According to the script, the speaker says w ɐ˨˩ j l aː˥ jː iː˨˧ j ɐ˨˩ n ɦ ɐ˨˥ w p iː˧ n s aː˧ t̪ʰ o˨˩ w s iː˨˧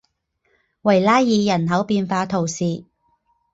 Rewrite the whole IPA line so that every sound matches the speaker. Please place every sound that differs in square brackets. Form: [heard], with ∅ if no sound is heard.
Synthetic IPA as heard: w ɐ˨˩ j l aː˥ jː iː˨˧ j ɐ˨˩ n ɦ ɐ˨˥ w p iː˧ n [f] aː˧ t̪ʰ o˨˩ w s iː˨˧